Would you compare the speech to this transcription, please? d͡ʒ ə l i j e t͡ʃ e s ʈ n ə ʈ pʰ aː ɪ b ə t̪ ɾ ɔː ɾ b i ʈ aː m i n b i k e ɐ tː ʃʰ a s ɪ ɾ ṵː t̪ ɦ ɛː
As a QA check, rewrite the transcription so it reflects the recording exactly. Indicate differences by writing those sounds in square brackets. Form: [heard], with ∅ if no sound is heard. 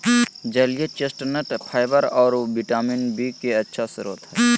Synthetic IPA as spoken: d͡ʒ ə l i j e t͡ʃ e s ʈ n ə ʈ pʰ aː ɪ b ə [∅] ɾ ɔː ɾ b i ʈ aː m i n b i k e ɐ tː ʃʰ a s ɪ ɾ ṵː t̪ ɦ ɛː